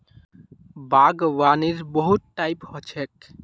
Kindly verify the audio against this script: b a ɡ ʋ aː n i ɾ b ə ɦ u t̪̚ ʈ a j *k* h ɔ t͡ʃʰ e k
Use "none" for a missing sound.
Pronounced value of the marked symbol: p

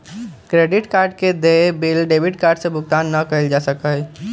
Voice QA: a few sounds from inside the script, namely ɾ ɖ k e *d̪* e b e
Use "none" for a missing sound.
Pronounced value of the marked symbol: d̪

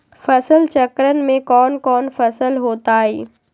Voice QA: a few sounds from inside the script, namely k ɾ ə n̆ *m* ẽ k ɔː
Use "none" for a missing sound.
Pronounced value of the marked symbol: m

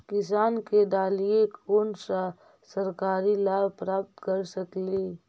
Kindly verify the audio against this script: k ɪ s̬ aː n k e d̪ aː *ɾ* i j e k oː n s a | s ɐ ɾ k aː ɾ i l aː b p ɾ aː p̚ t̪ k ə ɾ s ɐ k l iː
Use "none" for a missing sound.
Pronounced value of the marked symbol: l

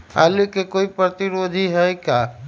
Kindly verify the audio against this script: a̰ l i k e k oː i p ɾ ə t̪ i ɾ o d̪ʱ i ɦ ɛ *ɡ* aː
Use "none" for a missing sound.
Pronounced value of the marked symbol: k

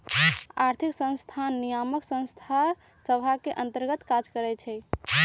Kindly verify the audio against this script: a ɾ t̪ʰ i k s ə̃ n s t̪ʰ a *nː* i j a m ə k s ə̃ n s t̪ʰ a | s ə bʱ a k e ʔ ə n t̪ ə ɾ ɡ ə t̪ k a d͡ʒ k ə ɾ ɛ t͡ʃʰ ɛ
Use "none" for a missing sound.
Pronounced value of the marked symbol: nː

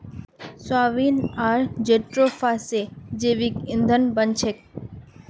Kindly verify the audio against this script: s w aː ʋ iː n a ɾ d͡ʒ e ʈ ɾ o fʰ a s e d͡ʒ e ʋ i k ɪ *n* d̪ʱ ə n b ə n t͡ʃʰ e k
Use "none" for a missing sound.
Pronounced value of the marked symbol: n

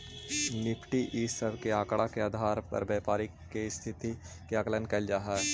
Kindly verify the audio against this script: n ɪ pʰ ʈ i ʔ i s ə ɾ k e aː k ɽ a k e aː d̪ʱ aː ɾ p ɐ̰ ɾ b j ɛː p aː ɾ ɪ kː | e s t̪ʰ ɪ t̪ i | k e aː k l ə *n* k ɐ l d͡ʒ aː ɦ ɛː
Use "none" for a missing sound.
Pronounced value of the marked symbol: n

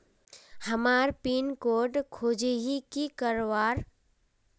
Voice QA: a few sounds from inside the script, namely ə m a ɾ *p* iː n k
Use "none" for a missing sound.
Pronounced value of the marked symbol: p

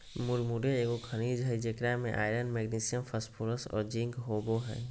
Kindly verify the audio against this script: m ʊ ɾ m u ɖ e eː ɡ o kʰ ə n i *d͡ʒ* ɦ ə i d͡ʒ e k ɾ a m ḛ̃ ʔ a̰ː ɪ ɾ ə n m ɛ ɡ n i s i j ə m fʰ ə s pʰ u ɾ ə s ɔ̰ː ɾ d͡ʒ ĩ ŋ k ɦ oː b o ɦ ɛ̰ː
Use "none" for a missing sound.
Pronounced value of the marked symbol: d͡ʒ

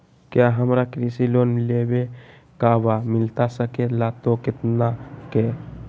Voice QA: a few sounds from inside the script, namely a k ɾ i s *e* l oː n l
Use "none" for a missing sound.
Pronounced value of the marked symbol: i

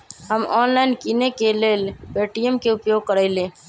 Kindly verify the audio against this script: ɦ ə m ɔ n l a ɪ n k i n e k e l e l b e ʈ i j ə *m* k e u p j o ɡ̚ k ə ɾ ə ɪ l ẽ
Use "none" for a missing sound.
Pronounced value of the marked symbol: m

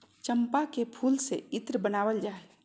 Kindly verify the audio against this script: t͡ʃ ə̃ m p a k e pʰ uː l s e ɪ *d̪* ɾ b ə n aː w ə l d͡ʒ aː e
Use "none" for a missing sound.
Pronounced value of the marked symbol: t̪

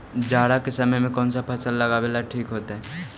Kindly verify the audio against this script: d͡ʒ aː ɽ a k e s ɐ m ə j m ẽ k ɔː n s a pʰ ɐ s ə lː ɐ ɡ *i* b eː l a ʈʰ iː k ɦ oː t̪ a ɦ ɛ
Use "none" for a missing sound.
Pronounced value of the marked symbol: a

